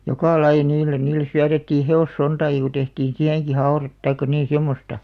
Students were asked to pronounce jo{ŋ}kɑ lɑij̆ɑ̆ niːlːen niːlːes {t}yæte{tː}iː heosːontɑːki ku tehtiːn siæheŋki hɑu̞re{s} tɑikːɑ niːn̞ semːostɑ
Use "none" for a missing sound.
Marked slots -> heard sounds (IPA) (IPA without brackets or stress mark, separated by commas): none, s, tː, t